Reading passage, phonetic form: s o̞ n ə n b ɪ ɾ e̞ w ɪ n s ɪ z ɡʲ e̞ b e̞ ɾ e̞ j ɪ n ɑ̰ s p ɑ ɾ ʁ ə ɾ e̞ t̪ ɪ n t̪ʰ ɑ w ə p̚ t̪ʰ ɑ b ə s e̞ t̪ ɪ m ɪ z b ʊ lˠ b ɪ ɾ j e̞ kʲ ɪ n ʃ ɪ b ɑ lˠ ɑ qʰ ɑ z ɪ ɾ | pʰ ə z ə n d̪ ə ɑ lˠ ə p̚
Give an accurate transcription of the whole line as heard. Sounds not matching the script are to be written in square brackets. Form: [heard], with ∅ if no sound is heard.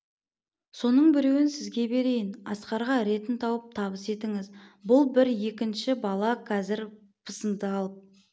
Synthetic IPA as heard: s o̞ n ə [ɴ] b ɪ ɾ e̞ w ɪ n s ɪ z ɡʲ e̞ b e̞ ɾ e̞ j ɪ n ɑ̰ s [q] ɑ ɾ ʁ [ɑ] ɾ e̞ t̪ ɪ n t̪ʰ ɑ w ə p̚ t̪ʰ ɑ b ə s e̞ t̪ ɪ [ŋ] ɪ z b ʊ lˠ b ɪ ɾ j e̞ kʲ ɪ n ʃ ɪ b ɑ lˠ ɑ qʰ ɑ z ɪ ɾ | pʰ ə [s] ə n d̪ ə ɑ lˠ ə p̚

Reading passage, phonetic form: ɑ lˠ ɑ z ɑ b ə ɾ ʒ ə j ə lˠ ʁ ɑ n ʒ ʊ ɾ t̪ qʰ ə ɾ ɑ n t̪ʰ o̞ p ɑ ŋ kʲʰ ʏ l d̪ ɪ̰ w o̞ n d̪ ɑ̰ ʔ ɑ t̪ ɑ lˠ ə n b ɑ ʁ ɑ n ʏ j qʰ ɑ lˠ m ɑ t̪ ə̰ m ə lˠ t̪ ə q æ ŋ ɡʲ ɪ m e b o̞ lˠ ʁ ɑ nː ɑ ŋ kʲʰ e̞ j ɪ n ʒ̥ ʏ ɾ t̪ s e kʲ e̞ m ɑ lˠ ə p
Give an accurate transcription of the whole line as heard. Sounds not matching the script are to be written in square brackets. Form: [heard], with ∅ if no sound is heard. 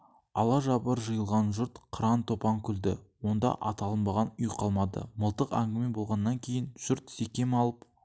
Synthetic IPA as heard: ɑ lˠ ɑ [ʒ] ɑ b ə ɾ ʒ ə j ə lˠ ʁ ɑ n ʒ ʊ ɾ t̪ qʰ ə ɾ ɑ n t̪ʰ o̞ p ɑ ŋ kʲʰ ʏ l d̪ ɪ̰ w o̞ n d̪ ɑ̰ ʔ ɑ t̪ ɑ lˠ ə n b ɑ ʁ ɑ n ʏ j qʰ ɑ lˠ m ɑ [d̪] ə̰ m ə lˠ t̪ ə q æ ŋ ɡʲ ɪ m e b o̞ lˠ ʁ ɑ nː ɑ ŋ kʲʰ e̞ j ɪ n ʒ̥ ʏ ɾ t̪ s e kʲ e̞ m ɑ lˠ ə p

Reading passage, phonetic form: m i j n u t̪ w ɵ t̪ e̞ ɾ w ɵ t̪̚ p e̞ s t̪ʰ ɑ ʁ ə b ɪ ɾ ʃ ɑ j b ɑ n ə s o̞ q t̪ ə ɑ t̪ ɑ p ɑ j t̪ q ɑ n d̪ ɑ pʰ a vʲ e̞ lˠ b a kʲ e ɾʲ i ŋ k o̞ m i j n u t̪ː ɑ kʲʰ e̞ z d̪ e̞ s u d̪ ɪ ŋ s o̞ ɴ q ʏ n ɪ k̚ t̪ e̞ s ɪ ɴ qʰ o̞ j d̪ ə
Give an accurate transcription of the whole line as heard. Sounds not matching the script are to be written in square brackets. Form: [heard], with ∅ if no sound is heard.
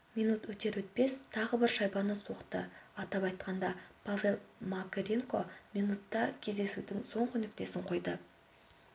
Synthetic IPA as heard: m i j n u t̪ w ɵ t̪ e̞ ɾ w ɵ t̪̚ p e̞ s t̪ʰ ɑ ʁ ə b ɪ ɾ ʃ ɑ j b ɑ n ə s o̞ q t̪ ə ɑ t̪ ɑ p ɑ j t̪ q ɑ n d̪ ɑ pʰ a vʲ e̞ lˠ [m] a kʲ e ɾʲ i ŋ k o̞ m i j n u t̪ː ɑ kʲʰ e̞ z d̪ e̞ s u d̪ ɪ ŋ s o̞ ɴ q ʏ n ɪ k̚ t̪ e̞ s ɪ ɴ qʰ o̞ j d̪ ə

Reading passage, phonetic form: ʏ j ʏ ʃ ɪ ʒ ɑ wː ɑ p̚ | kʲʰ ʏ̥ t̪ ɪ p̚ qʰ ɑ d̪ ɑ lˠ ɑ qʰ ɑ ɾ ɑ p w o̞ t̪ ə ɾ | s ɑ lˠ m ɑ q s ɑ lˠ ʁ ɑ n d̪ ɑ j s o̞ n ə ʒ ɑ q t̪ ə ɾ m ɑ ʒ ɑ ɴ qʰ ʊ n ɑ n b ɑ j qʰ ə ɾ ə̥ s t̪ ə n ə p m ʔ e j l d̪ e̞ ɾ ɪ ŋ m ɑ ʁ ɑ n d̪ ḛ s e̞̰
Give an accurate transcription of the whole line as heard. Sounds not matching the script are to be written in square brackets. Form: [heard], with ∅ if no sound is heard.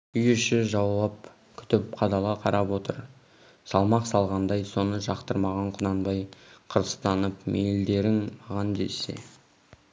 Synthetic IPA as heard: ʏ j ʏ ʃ ɪ ʒ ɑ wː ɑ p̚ | kʲʰ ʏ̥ t̪ ɪ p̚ qʰ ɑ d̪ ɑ lˠ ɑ qʰ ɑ ɾ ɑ p w o̞ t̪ ə ɾ | s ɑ lˠ m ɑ q s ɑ lˠ ʁ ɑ n d̪ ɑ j s o̞ n ə ʒ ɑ q t̪ ə ɾ m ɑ [ʁ] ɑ ɴ qʰ ʊ n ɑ n b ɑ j qʰ ə ɾ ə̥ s t̪ [ɑ] n ə p m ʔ e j l d̪ e̞ ɾ ɪ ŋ m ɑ ʁ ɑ n d̪ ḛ s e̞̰

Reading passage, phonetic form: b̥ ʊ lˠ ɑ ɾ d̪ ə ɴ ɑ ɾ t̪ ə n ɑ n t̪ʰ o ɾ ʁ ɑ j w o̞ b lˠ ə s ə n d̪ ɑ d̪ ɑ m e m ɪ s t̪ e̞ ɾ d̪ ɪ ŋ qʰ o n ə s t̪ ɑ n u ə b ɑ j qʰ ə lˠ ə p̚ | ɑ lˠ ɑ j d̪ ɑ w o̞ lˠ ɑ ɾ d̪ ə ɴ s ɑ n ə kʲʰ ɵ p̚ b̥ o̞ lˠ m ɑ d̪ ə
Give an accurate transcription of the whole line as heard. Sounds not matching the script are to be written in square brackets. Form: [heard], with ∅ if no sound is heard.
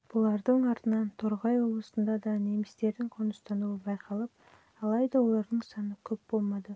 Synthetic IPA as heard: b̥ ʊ lˠ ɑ ɾ d̪ ə ɴ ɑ ɾ t̪ ə n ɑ n t̪ʰ o ɾ ʁ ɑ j w o̞ b lˠ ə s ə n d̪ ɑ d̪ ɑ [n] e m ɪ s t̪ e̞ ɾ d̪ ɪ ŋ qʰ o n ə s t̪ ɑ n u ə b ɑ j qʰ [ɑ] lˠ ə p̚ | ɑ lˠ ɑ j d̪ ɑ w o̞ lˠ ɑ ɾ d̪ ə ɴ s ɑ n ə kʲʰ ɵ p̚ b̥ o̞ lˠ m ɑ d̪ ə

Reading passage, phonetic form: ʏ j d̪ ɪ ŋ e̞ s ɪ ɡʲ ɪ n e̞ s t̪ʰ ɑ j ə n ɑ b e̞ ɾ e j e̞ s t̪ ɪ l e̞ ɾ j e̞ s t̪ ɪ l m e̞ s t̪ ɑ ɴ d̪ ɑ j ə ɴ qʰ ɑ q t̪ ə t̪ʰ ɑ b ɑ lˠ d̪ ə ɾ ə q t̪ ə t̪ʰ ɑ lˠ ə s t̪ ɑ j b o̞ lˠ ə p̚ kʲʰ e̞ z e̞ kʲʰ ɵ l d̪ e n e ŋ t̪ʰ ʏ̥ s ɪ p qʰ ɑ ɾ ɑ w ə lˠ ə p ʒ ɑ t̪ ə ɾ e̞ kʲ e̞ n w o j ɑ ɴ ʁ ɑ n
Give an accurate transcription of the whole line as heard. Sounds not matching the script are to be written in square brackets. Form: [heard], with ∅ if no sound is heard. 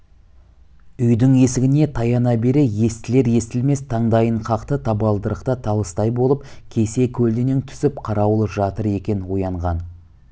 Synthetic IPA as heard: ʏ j d̪ ɪ ŋ e̞ s ɪ ɡʲ ɪ n e̞ [∅] t̪ʰ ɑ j [ɑ] n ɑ b e̞ ɾ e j e̞ s t̪ ɪ l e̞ ɾ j e̞ s t̪ ɪ l m e̞ s [t̪ʰ] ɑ ɴ d̪ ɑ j ə ɴ qʰ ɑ q t̪ ə t̪ʰ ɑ b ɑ lˠ d̪ ə ɾ ə q t̪ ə t̪ʰ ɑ lˠ ə s t̪ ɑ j b o̞ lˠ ə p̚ kʲʰ e̞ [s] e̞ kʲʰ ɵ l d̪ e n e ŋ t̪ʰ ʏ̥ s ɪ p qʰ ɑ ɾ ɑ w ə lˠ ə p ʒ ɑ t̪ ə ɾ e̞ kʲ e̞ n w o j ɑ ɴ ʁ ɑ n

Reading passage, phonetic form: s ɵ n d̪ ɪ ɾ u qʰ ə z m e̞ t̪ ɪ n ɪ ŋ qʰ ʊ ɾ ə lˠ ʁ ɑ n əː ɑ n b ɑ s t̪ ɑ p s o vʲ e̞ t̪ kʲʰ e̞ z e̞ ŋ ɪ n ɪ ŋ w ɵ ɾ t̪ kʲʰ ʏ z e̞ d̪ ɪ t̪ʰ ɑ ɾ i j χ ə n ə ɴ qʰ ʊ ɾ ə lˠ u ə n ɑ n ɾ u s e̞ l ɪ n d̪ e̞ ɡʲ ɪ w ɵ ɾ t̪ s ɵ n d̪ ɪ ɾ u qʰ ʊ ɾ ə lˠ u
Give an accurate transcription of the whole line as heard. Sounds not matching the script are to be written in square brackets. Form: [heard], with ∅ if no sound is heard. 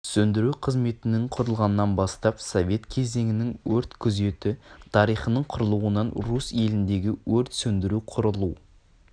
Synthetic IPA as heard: s ɵ n d̪ ɪ ɾ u qʰ ə z m e̞ t̪ ɪ n ɪ ŋ qʰ ʊ ɾ ə lˠ ʁ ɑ n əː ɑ n b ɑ s t̪ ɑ p s o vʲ e̞ t̪ kʲʰ e̞ z e̞ ŋ ɪ n ɪ ŋ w ɵ ɾ t̪ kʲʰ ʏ z e̞ [t̪] ɪ t̪ʰ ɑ ɾ i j χ ə n ə ɴ qʰ ʊ ɾ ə lˠ u ə n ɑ n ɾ u s e̞ l ɪ n d̪ e̞ ɡʲ ɪ w ɵ ɾ t̪ s ɵ n d̪ ɪ ɾ u qʰ ʊ ɾ ə lˠ u

